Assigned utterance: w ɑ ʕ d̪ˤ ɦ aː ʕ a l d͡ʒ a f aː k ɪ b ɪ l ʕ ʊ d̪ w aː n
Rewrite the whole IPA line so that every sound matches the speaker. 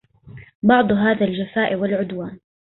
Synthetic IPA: b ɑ ʕ d̪ˤ ɦ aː ð a l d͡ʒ a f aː ʔ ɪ w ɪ l ʕ ʊ d̪ w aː n